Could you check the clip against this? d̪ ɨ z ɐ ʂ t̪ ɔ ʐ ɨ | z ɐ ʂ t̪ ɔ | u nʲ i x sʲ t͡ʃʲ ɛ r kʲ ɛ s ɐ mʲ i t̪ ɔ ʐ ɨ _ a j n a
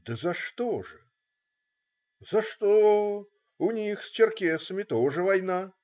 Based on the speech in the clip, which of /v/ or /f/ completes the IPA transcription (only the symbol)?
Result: v